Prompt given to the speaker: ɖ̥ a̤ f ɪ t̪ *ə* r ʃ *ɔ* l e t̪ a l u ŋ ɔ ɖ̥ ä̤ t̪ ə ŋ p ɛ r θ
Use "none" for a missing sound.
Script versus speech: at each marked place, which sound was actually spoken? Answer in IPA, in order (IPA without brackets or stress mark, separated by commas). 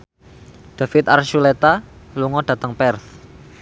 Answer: a, u